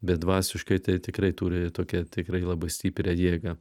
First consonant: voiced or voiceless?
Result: voiced